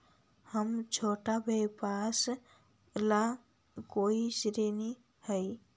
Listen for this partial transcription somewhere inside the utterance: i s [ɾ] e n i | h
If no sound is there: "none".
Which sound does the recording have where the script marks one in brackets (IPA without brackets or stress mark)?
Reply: ɾ